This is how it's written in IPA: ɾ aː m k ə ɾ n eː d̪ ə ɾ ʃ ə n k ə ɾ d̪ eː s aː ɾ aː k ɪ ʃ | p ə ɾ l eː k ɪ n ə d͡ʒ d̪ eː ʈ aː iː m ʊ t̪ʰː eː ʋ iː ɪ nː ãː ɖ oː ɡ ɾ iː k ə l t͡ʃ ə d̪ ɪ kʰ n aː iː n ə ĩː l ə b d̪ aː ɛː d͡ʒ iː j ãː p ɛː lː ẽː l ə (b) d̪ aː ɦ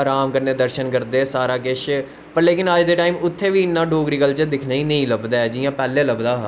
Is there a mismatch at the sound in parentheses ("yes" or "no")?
no